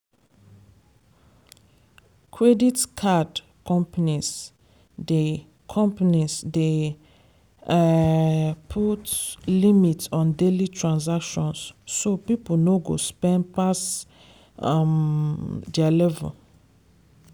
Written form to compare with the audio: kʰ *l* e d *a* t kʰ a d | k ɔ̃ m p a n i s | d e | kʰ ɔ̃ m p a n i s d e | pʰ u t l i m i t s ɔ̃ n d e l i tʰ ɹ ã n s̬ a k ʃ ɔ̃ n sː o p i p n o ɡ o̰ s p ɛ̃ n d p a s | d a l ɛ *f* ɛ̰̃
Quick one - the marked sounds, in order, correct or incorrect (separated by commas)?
incorrect, incorrect, incorrect